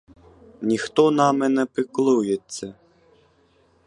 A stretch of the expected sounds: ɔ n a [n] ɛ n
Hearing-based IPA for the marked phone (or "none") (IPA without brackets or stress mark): m